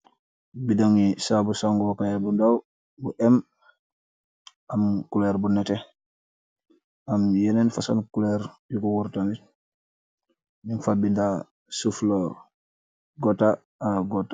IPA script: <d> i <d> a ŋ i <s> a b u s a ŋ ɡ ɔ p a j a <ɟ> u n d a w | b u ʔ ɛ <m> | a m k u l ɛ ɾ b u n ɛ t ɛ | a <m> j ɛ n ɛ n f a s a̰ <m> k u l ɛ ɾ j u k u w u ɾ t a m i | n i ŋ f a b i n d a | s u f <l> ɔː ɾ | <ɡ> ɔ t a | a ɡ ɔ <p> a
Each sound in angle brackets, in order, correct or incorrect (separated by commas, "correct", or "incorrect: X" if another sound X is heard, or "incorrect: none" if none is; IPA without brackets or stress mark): incorrect: b, correct, correct, incorrect: b, correct, correct, incorrect: n, correct, correct, incorrect: t